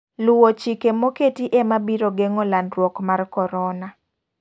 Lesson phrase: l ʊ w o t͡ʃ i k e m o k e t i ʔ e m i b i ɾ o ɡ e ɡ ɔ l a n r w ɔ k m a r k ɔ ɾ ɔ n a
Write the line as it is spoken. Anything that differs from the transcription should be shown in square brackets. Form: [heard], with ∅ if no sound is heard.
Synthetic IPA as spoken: l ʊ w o t͡ʃ i k e m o k e t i ʔ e m [a] b i ɾ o ɡ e [ŋ] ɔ l a n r w ɔ k m a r k ɔ ɾ ɔ n a

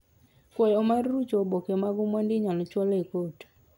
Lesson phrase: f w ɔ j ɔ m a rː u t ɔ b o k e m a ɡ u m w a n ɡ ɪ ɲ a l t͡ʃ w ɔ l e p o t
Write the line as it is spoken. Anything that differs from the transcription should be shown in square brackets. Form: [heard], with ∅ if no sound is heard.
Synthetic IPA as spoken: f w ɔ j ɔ m a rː u [t͡ʃ] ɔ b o k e m a ɡ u m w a n [d] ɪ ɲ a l t͡ʃ w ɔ l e [k] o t

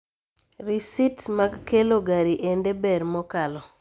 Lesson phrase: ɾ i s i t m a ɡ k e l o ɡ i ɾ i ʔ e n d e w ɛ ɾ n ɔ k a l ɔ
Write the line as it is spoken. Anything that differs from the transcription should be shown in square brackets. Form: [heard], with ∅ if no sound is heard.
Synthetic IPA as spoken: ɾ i s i t m a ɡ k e l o ɡ [a] ɾ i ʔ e n d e [b] ɛ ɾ [m] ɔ k a l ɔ

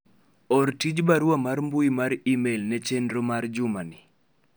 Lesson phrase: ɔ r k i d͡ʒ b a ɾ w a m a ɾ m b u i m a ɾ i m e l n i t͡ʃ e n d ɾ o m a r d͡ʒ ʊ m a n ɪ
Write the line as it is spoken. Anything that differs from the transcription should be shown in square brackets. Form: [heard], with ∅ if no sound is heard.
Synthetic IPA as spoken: ɔ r [t] i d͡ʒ b a ɾ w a m a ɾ m b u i m a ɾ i m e l n [ɛ] t͡ʃ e n d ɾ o m a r d͡ʒ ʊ m a n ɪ

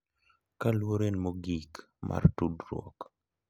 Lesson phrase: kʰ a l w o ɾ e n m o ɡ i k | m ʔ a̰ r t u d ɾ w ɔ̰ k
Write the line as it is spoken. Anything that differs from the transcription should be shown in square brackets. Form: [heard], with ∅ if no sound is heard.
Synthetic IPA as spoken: [k] a l w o ɾ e n m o ɡ i k | m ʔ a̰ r t u d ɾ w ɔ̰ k

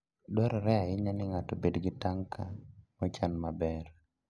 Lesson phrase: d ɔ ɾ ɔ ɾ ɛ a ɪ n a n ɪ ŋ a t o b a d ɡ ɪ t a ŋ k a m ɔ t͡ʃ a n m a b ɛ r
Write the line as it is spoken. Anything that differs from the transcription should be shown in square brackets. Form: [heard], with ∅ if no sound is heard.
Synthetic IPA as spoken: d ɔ ɾ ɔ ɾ ɛ a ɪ [ɲ] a n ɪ ŋ a t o b [e] d ɡ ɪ t a ŋ k a m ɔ t͡ʃ a n m a b ɛ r

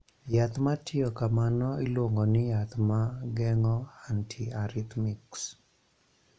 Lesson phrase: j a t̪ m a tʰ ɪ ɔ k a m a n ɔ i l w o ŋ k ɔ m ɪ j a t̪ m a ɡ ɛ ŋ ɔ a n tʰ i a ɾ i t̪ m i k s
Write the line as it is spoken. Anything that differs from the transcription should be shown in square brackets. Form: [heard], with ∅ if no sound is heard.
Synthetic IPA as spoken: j a t̪ m a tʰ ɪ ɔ k a m a n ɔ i l w o ŋ [ɡ] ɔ [n] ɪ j a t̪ m a ɡ ɛ ŋ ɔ a n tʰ i a ɾ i t̪ m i k s

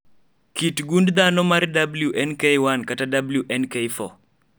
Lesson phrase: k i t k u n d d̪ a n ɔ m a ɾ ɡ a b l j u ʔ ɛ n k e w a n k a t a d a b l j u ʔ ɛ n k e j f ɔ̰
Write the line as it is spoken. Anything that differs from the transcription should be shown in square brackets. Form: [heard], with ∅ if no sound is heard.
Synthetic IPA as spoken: k i t [ɡ] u n d d̪ a n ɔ m a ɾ [d] a b l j u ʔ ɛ n k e w a n k a t a d a b l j u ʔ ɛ n k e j f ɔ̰

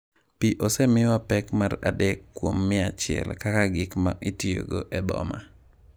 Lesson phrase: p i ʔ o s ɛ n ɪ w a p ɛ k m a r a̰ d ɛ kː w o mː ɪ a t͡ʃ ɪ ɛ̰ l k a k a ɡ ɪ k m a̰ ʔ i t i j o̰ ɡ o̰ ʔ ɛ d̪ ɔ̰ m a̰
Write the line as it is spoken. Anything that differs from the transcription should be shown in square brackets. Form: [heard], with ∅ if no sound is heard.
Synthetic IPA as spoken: p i ʔ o s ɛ [m] ɪ w a p ɛ k m a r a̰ d ɛ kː w o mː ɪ a t͡ʃ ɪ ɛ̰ l k a k a ɡ ɪ k m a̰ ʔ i t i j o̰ ɡ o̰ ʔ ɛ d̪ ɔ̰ m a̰

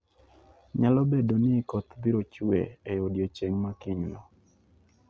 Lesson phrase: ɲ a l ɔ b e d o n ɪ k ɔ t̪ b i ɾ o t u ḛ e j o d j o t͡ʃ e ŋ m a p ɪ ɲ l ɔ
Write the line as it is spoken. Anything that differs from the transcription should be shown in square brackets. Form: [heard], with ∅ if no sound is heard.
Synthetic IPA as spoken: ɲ a l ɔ b e d o n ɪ k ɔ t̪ b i ɾ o [t͡ʃ] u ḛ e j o d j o t͡ʃ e ŋ m a [k] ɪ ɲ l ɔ

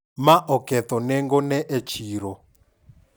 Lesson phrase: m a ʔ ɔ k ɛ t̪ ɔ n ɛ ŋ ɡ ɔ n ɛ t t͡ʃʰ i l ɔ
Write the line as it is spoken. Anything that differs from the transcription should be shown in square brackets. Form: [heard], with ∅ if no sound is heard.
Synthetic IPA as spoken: m a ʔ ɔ k ɛ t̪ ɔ n ɛ ŋ ɡ ɔ n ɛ [ʔ] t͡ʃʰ i [ɾ] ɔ

